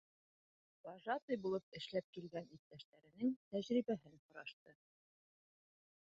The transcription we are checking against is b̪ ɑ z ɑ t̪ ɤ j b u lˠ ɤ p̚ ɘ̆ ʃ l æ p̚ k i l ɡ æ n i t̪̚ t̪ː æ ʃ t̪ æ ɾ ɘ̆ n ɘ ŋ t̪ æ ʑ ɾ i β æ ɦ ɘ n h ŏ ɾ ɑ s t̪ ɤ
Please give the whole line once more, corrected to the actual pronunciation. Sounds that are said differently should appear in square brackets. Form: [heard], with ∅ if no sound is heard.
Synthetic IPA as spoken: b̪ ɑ [ʒ] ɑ t̪ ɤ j b u lˠ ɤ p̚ ɘ̆ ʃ l æ p̚ k i l ɡ æ n i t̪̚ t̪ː æ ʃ t̪ æ ɾ ɘ̆ n ɘ ŋ t̪ æ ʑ ɾ i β æ ɦ ɘ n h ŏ ɾ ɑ [ʃ] t̪ ɤ